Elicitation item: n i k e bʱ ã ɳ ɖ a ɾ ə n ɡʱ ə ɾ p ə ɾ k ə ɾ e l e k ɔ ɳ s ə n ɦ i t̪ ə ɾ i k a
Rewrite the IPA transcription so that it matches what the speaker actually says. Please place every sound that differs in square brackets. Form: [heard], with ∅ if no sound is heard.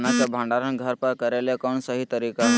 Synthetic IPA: n [a] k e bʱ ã ɳ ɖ a ɾ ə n ɡʱ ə ɾ p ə ɾ k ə ɾ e l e k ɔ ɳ s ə [∅] ɦ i t̪ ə ɾ i k a